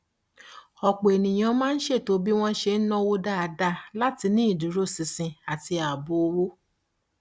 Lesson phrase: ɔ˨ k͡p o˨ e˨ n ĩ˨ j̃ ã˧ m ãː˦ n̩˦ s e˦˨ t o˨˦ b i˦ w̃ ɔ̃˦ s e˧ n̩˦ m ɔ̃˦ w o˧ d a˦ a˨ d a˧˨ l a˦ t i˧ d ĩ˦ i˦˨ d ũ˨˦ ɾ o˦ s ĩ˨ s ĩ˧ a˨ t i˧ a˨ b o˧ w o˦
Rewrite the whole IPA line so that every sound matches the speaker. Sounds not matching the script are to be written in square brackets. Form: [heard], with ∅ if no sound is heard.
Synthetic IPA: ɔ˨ k͡p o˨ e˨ n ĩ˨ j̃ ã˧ m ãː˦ n̩˦ [ʃ] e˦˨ t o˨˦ b i˦ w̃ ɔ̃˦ [ʃ] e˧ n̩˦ [n] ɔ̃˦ w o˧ d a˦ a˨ d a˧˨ l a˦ t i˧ [n] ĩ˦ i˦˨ d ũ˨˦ ɾ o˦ s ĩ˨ s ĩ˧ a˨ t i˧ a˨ b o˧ w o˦